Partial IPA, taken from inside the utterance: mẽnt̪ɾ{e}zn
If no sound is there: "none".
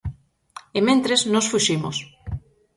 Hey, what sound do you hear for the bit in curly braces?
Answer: e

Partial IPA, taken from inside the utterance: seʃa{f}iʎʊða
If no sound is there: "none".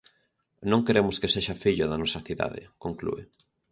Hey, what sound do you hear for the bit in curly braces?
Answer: f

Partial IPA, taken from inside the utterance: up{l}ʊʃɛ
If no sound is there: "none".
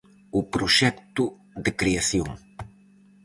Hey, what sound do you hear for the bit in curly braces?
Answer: ɾ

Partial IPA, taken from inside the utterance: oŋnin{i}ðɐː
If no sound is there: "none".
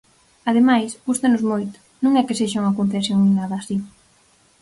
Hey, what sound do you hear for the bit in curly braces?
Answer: a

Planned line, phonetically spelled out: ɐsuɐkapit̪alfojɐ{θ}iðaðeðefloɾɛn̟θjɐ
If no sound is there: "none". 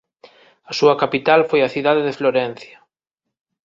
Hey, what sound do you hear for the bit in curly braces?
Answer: θ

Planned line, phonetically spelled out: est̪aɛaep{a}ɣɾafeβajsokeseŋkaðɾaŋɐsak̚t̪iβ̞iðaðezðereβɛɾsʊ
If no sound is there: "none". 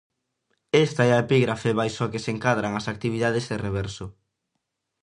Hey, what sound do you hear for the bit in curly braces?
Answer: i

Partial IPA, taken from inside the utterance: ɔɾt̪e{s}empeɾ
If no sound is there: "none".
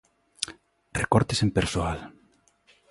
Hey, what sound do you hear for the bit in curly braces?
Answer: s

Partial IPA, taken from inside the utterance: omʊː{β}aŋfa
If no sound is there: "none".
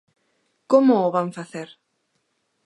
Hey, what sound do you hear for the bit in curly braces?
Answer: β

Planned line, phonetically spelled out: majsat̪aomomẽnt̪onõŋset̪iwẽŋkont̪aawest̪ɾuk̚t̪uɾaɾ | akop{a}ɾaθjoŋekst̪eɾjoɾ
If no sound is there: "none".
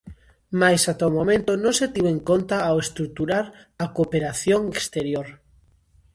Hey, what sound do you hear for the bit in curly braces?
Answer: e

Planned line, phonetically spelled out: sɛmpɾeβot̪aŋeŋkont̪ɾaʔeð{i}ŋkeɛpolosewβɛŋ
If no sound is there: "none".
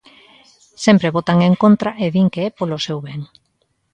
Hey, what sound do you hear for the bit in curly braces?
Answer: i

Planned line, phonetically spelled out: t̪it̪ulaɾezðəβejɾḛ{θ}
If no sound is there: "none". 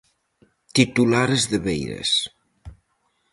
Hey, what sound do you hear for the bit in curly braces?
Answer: s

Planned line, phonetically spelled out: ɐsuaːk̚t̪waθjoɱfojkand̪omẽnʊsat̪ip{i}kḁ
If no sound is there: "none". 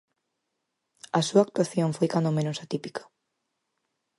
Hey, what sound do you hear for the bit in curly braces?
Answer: i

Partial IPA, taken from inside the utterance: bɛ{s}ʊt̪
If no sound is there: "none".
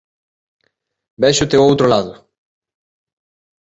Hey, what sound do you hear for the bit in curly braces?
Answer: ʃ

